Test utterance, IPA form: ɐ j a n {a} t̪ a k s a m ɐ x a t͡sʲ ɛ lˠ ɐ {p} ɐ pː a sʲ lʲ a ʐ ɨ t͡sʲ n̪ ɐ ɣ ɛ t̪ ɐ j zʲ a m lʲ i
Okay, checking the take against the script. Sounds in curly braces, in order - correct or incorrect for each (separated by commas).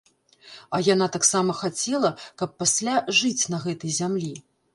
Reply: correct, incorrect